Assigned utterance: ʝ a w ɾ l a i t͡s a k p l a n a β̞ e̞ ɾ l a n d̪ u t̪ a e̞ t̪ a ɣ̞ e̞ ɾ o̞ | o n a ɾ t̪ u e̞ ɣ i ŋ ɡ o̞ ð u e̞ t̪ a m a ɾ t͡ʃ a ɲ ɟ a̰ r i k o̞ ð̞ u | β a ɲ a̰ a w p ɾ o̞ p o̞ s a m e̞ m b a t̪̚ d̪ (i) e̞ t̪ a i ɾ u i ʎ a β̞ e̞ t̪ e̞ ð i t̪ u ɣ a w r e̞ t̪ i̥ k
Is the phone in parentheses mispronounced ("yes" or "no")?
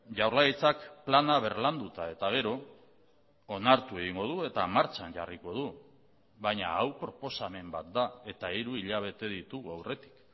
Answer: yes